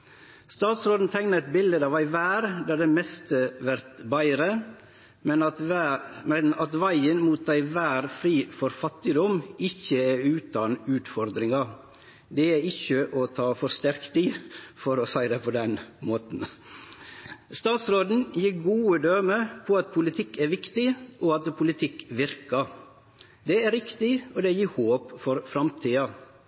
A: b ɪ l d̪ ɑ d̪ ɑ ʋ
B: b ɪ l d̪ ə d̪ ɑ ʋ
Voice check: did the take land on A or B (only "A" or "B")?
B